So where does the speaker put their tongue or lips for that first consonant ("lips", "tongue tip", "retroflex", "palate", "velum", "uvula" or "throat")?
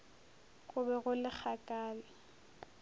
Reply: velum